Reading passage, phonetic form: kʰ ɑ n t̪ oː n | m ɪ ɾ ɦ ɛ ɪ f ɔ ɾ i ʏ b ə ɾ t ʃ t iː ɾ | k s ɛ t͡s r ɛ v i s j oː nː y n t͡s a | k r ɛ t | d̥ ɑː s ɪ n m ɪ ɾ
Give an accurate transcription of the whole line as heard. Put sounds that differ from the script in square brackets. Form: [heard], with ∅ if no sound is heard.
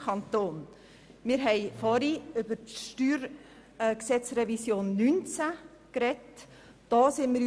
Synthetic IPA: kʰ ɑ n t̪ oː n | m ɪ ɾ ɦ ɛ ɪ f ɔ ɾ i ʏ b ə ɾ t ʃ t [yː] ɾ | k s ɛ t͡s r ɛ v i s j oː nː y n t͡s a | k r ɛ t | d̥ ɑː s ɪ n m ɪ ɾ